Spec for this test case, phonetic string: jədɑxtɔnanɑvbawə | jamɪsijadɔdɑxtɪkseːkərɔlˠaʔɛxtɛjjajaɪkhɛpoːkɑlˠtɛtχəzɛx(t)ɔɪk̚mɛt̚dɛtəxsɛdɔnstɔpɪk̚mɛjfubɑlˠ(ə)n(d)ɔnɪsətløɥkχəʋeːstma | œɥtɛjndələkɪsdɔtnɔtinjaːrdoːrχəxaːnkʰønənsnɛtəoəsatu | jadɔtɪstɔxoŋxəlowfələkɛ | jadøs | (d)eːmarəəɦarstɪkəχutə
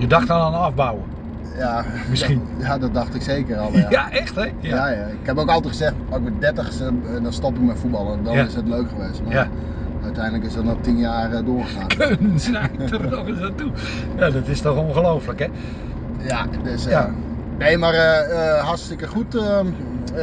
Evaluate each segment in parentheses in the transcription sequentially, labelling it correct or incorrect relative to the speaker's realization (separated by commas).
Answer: correct, correct, correct, incorrect